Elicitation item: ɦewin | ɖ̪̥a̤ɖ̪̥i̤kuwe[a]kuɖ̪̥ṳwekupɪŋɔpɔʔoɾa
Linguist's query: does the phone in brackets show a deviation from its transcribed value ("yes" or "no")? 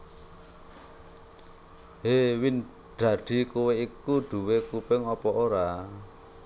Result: yes